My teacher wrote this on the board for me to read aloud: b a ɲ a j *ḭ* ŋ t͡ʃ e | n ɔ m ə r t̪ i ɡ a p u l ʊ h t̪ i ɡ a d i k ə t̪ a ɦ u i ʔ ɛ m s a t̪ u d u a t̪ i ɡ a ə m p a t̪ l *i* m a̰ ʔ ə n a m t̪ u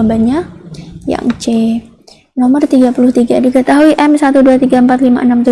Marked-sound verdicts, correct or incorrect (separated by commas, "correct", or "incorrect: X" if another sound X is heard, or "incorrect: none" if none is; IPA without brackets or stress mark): incorrect: a̰, correct